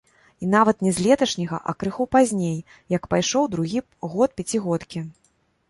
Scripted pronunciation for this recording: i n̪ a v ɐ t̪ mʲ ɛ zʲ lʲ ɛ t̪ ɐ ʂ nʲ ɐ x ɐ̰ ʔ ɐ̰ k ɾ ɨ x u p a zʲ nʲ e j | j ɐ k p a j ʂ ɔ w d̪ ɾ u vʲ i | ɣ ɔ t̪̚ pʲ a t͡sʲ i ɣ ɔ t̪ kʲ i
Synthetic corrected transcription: i n̪ a v ɐ t̪ nʲ ɛ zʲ lʲ ɛ t̪ ɐ ʂ nʲ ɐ ɣ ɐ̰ ʔ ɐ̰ k ɾ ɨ x u p a zʲ nʲ e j | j ɐ k p a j ʂ ɔ w d̪ ɾ u ɣʲ i | ɣ ɔ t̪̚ pʲ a t͡sʲ i ɣ ɔ t̪ kʲ i